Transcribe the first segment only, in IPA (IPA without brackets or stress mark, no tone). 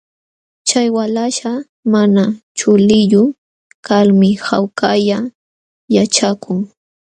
t͡ʃ